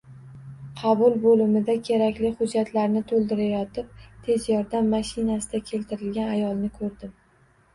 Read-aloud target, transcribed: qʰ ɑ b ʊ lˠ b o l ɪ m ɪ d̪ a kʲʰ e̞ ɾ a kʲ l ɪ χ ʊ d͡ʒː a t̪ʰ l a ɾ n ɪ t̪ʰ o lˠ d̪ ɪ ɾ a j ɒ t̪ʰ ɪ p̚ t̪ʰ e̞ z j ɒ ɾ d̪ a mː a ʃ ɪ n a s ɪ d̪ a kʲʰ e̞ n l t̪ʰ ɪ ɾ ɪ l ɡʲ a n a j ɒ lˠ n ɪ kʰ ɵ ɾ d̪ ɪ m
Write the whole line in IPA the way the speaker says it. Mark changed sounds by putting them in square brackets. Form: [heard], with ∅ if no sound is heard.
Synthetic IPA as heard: qʰ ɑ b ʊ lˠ b o l ɪ m ɪ d̪ a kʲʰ e̞ ɾ a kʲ l ɪ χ ʊ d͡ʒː a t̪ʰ l a ɾ n ɪ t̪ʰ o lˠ d̪ ɪ ɾ a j ɒ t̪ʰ ɪ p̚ t̪ʰ e̞ z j ɒ ɾ d̪ a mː a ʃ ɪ n a s ɪ d̪ a kʲʰ e̞ [∅] l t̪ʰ ɪ ɾ ɪ l ɡʲ a n a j ɒ lˠ n ɪ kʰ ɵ ɾ d̪ ɪ m